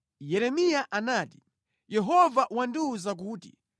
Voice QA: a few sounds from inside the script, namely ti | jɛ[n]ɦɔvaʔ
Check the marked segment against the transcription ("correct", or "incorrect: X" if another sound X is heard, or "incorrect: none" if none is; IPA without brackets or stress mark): incorrect: none